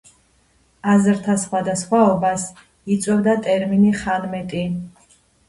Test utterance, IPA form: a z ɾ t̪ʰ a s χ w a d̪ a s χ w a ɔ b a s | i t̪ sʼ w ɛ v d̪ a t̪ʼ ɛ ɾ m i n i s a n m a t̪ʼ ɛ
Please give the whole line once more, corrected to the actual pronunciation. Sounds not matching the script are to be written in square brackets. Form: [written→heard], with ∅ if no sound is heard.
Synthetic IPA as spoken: a z ɾ t̪ʰ a s χ w a d̪ a s χ w a ɔ b a s | i t̪ sʼ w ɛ v d̪ a t̪ʼ ɛ ɾ m i n i [s→χ] a n m [a→ɛ] t̪ʼ [ɛ→i]